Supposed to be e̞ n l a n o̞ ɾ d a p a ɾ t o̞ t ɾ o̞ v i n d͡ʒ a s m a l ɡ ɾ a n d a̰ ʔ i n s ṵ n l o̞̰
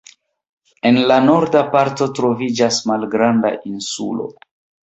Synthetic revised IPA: e̞ n l a n o̞ ɾ d a p a ɾ t o̞ t ɾ o̞ v i d͡ʒ a s m a l ɡ ɾ a n d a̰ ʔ i n s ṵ l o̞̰

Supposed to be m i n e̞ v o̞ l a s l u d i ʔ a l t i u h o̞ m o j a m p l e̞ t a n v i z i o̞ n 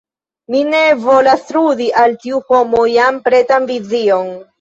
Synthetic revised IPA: m i n e̞ v o̞ l a s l u d i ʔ a l t i u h o̞ m o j a m p ɾ e̞ t a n v i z i o̞ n

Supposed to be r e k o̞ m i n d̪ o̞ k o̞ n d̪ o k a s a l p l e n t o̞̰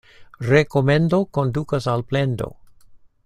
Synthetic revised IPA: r e k o̞ m e n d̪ o̞ k o̞ n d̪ u k a s a l p l e n d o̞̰

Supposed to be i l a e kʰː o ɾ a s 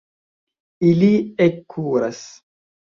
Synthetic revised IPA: i l i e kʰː u ɾ a s

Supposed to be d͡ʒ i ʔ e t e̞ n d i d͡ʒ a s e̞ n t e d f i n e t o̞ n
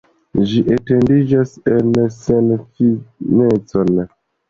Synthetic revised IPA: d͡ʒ i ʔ e t e̞ n d i d͡ʒ a s e̞ n s e n f i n e t͡s o̞ n

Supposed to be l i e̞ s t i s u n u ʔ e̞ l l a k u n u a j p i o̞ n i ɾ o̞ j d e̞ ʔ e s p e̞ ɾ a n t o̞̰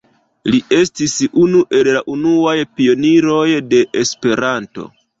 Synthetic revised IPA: l i e̞ s t i s u n u ʔ e̞ l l a ʔ u n u a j p i o̞ n i ɾ o̞ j d e̞ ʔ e s p e̞ ɾ a n t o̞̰

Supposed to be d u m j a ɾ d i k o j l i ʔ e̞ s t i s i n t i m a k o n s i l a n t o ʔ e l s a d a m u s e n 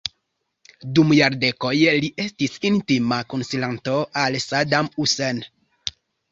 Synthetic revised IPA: d u m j a ɾ d e k o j l i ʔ e̞ s t i s i n t i m a k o n s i l a n t o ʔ a l s a d a m u s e n

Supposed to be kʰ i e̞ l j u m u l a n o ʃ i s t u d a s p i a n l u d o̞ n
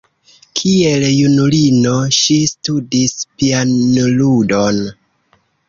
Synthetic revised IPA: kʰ i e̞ l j u n u l i n o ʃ i s t u d i s p i a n l u d o̞ n

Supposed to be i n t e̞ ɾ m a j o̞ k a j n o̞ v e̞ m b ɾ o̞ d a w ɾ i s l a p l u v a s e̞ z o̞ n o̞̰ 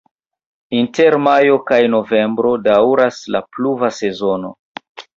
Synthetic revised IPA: i n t e̞ ɾ m a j o̞ k a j n o̞ v e̞ m b ɾ o̞ d a w ɾ a s l a p l u v a s e̞ z o̞ n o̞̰

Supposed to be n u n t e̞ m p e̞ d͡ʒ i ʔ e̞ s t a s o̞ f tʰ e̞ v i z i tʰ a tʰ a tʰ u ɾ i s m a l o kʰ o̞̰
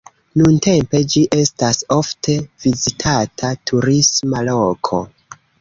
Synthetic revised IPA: n u n t e̞ m p e̞ d͡ʒ i ʔ e̞ s t a s o̞ f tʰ e̞ v i z i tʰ a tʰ a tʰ u ɾ i s m a l o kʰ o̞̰

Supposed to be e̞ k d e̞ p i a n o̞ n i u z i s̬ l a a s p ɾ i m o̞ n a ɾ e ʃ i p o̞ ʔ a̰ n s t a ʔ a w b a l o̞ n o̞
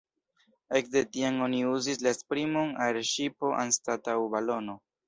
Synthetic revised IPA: e̞ k d e̞ t i a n o̞ n i u z i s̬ l a e s p ɾ i m o̞ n a ɾ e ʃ i p o̞ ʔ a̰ n s t a t a w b a l o̞ n o̞

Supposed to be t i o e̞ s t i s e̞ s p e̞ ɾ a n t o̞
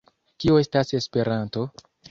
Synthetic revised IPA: k i o e̞ s t a s e̞ s p e̞ ɾ a n t o̞

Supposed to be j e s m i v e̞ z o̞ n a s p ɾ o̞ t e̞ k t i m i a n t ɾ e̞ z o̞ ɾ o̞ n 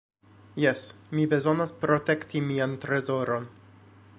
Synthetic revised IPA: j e s m i b e̞ z o̞ n a s p ɾ o̞ t e̞ k t i m i a n t ɾ e̞ z o̞ ɾ o̞ n

